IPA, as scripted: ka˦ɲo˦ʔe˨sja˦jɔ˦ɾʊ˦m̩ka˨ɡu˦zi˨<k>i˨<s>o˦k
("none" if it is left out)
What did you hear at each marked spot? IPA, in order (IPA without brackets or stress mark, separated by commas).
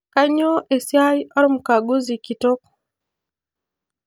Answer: k, t